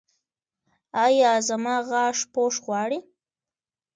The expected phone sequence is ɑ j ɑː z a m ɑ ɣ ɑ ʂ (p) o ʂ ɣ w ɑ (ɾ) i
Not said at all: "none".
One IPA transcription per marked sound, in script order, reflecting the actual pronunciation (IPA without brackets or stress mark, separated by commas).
p, ɽ